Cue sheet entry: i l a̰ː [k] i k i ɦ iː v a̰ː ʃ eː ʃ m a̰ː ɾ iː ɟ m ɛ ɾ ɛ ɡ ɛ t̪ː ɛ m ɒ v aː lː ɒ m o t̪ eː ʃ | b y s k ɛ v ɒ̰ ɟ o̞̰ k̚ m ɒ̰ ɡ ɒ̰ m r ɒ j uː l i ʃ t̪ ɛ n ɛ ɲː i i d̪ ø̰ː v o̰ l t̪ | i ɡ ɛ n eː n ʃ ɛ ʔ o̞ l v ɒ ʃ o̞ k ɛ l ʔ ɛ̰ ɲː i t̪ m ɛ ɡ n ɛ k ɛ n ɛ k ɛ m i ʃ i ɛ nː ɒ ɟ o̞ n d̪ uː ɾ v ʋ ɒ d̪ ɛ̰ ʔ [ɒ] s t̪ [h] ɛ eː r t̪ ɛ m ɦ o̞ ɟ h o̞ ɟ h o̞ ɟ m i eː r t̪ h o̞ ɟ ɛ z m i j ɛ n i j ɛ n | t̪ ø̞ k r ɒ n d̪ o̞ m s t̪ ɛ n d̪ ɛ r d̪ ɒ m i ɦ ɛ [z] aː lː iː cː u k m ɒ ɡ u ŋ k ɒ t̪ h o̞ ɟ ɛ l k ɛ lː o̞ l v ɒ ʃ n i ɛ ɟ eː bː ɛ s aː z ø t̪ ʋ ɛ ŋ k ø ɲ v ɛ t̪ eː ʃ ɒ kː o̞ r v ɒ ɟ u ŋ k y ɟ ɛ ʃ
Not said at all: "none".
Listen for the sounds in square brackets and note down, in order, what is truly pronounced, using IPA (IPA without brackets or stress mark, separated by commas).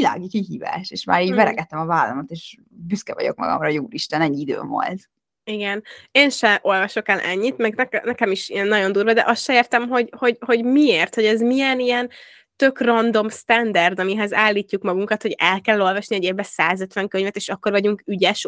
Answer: ɡ, ɒ, ʃ, z